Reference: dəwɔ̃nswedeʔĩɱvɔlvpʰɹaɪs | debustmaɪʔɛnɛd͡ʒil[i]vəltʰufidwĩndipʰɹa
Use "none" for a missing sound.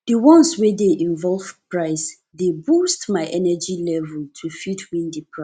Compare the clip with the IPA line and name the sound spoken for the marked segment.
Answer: ɛ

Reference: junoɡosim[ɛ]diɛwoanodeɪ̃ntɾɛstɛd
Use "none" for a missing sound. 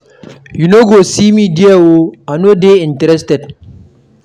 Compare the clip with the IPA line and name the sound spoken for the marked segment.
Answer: i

